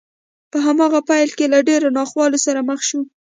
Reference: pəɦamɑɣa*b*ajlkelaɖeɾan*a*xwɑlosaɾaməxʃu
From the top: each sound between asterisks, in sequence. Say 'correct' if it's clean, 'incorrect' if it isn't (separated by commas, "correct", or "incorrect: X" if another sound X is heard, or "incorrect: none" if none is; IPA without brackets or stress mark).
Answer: incorrect: p, incorrect: ɑ